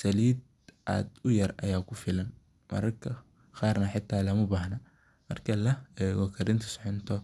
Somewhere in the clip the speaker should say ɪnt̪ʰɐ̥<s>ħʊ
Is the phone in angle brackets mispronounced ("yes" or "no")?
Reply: no